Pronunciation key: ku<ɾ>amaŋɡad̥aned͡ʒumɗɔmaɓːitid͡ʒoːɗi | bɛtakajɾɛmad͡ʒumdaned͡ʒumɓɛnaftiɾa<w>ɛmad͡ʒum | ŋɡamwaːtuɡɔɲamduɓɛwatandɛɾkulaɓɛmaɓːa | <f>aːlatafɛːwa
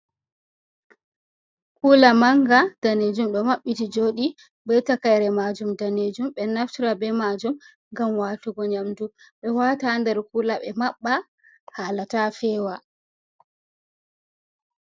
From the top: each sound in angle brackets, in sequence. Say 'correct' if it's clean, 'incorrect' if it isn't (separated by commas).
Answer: incorrect, incorrect, incorrect